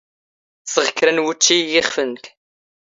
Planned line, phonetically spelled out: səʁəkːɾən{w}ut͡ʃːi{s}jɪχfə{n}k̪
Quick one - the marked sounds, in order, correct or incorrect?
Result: correct, incorrect: none, correct

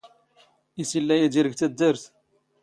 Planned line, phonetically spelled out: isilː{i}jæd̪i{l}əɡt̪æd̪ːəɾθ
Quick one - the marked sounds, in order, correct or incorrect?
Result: incorrect: æ, incorrect: ɾ

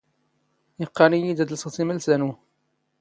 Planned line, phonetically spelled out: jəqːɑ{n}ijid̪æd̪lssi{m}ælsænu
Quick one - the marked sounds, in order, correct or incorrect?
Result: correct, correct

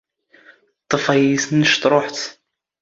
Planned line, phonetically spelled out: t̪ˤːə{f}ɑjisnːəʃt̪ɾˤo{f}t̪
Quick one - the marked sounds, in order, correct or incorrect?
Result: correct, incorrect: ħ

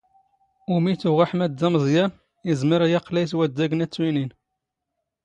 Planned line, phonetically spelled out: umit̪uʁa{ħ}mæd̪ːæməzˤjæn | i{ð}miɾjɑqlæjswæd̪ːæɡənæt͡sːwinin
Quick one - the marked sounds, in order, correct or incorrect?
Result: correct, incorrect: z

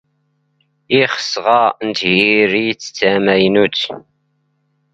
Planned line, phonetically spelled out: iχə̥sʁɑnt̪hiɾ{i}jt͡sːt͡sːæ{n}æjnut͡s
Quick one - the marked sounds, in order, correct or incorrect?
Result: correct, incorrect: m

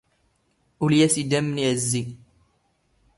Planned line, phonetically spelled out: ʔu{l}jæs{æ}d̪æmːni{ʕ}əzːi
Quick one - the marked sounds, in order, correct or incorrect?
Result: correct, incorrect: i, correct

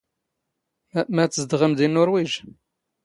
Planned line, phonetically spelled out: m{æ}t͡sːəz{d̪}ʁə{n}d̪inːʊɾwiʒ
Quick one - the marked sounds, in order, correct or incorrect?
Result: correct, correct, incorrect: m

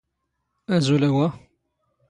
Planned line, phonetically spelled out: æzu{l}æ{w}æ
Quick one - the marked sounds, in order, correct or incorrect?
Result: correct, correct

